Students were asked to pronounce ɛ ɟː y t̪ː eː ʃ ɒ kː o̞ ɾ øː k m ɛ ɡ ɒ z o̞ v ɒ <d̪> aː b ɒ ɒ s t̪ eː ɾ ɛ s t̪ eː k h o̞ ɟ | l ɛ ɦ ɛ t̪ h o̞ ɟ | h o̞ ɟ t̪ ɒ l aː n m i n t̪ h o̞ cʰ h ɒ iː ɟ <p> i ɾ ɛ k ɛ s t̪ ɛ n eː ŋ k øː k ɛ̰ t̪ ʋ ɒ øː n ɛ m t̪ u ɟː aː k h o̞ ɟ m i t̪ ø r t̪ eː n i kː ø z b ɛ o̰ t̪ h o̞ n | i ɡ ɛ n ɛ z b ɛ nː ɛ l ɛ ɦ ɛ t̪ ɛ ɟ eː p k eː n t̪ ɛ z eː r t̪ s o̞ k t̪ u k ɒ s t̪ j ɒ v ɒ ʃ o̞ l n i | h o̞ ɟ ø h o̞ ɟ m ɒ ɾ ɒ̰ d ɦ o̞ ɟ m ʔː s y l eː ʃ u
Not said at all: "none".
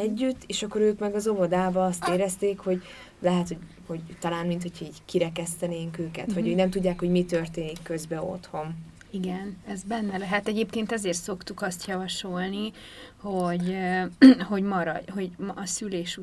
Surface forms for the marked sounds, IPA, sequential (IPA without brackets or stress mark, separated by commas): d̪, k